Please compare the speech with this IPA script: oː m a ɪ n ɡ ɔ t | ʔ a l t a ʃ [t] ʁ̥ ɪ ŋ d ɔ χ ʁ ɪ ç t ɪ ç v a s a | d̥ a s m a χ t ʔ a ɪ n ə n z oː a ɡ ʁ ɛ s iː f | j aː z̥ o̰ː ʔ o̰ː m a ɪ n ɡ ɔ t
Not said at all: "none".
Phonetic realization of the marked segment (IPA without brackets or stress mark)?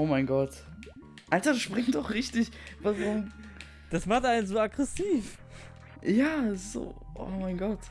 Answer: p